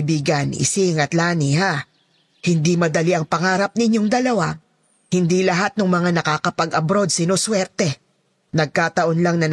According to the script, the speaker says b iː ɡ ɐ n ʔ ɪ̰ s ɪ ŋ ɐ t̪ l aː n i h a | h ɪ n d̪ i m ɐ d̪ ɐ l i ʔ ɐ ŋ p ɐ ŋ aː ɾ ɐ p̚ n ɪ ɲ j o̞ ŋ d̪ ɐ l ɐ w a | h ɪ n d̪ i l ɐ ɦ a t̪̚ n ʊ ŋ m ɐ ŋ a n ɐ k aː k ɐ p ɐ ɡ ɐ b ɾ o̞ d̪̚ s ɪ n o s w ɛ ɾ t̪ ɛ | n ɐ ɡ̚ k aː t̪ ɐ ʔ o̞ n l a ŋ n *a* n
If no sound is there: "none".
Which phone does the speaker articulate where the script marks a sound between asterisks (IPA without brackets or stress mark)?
ɐ